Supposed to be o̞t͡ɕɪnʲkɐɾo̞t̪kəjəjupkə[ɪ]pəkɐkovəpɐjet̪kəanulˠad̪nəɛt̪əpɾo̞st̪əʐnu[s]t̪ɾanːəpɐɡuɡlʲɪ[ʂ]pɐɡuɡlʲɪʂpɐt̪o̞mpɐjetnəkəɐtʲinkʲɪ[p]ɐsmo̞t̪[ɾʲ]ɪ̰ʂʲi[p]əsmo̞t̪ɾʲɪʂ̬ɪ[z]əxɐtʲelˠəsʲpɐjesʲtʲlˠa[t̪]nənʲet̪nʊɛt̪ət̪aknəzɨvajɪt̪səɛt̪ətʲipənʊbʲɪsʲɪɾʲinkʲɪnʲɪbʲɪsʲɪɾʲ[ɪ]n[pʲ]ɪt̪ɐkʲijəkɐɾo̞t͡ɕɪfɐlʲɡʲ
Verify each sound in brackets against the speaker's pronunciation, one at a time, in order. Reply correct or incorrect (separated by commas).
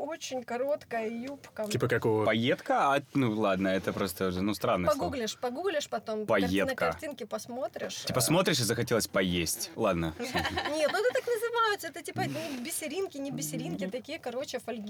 incorrect, correct, correct, correct, correct, correct, correct, incorrect, incorrect, incorrect